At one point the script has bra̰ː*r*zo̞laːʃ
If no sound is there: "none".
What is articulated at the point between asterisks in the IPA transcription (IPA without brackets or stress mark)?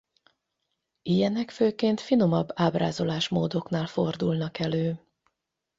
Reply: none